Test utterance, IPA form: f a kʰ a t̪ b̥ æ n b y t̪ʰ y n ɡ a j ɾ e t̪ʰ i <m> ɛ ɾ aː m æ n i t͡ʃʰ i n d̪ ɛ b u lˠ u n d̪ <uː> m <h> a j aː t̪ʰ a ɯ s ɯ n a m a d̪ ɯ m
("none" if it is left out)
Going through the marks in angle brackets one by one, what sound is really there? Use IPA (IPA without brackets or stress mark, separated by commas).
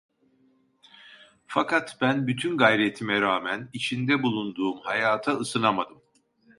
m, uː, h